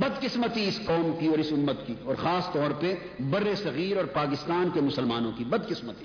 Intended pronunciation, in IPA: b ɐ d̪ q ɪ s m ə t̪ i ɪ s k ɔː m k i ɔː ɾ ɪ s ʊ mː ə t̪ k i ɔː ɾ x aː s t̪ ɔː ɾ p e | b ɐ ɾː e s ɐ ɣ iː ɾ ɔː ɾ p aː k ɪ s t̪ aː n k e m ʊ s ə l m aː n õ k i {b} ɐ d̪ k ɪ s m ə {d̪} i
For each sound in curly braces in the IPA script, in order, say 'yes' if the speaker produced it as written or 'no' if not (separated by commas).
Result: yes, no